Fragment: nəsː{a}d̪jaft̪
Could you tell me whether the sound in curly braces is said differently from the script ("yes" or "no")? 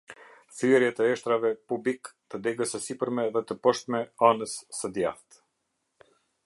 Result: yes